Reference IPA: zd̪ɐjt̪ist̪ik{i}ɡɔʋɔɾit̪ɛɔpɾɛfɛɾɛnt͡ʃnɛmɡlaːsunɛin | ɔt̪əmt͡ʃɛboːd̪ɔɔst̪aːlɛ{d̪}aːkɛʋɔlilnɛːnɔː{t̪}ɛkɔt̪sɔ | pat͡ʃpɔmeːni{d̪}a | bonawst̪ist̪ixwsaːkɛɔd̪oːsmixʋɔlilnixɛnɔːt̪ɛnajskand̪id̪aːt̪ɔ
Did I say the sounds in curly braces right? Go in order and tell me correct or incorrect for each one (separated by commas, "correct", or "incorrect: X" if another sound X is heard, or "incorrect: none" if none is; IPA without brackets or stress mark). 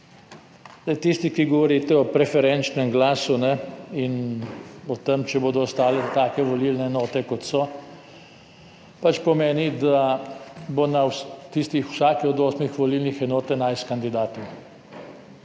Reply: correct, incorrect: t̪, correct, correct